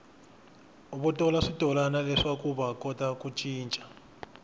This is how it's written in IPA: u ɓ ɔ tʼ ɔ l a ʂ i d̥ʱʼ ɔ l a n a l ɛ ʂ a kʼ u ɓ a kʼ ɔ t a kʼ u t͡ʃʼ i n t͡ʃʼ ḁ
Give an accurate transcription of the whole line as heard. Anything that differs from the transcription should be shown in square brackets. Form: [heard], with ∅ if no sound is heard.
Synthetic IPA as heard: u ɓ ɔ tʼ ɔ l a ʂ i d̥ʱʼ ɔ l a n a l ɛ ʂ a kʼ u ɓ a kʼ ɔ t a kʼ u t͡ʃʼ [iː] n t͡ʃʼ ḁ